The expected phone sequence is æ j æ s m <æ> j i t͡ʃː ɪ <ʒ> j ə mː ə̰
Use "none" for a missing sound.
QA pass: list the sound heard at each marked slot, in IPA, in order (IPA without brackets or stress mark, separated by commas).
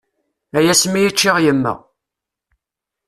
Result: i, ʁ